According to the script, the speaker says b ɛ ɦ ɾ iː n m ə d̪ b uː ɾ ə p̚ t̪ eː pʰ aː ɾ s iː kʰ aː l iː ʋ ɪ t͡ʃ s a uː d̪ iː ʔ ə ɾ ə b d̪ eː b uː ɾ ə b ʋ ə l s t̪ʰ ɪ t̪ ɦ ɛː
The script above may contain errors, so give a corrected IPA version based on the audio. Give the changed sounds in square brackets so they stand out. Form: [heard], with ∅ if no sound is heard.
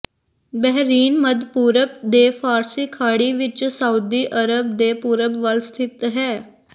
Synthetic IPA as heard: b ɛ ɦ ɾ iː n m ə d̪ [p] uː ɾ ə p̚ [d̪] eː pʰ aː ɾ s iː kʰ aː [ɽ] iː ʋ ɪ t͡ʃ s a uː d̪ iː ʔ ə ɾ ə b d̪ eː [p] uː ɾ ə b ʋ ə l s t̪ʰ ɪ t̪ ɦ ɛː